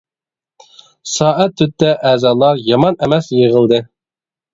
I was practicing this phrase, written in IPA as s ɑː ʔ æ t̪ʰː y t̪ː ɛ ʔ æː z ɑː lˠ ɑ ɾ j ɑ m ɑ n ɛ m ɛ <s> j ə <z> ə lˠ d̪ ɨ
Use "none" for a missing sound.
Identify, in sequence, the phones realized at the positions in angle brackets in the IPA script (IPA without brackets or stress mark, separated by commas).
s, ʁ